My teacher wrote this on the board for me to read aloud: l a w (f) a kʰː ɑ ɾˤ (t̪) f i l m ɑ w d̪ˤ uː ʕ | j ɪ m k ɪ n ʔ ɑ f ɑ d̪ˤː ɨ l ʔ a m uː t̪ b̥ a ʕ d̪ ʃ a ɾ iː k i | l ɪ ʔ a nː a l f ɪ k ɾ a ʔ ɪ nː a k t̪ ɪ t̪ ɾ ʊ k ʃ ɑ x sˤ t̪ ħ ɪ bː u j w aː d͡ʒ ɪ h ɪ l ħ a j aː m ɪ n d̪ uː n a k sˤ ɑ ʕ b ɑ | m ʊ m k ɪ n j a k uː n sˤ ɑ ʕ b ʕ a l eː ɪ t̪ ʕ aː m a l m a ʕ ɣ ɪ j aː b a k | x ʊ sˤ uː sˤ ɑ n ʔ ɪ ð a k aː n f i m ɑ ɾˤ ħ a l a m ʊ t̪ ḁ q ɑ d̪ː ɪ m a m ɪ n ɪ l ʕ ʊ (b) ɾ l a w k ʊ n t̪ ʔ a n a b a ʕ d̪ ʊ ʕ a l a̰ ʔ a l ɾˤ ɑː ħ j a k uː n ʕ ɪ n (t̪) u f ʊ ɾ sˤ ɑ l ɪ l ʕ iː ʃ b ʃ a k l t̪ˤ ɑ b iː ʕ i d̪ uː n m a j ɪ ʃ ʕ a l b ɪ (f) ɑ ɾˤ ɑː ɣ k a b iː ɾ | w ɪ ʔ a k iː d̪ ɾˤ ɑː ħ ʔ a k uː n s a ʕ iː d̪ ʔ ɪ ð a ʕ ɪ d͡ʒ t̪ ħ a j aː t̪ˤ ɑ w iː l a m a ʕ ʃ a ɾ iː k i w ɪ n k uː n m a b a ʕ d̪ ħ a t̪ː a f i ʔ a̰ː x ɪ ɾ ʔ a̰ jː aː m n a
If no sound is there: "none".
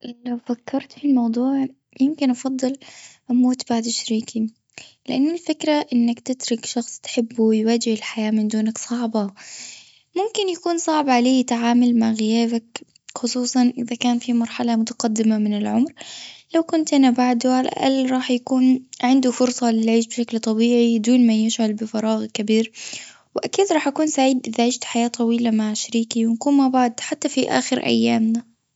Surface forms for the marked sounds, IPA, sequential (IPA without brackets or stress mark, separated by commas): f, t̪, m, d̪, f